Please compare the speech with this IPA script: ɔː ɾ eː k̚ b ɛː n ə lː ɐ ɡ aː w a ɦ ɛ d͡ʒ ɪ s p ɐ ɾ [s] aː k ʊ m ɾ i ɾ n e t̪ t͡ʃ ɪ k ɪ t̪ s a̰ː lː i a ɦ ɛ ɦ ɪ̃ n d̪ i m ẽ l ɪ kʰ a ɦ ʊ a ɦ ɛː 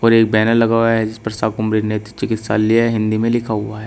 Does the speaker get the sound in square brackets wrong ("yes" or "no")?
no